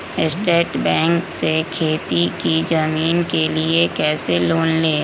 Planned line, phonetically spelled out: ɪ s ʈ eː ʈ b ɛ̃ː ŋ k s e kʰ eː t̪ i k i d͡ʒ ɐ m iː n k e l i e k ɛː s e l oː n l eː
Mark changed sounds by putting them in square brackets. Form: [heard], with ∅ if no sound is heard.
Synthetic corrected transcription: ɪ s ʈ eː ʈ b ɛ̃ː ŋ k s e kʰ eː t̪ i k i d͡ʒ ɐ m iː n k e l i e k ɛː s e l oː n l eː